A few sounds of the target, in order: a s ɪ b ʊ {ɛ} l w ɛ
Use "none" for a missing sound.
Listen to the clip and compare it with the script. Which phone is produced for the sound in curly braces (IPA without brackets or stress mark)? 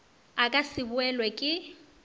ɛ